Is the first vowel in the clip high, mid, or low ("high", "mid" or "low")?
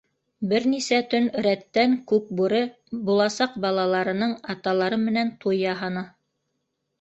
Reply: mid